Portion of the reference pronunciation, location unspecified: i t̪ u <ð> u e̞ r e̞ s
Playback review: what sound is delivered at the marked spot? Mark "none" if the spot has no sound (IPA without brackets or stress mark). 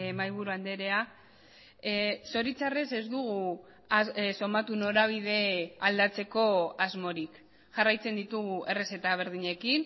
ɣ